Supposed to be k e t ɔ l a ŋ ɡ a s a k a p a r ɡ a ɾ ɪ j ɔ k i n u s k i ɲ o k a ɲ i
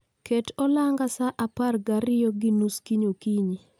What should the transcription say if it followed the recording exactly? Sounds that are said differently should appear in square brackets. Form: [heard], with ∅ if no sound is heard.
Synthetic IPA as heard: k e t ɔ l a ŋ ɡ a s a [ʔ] a p a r ɡ a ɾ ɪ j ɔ [ɡ] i n u s k i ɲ o k [i] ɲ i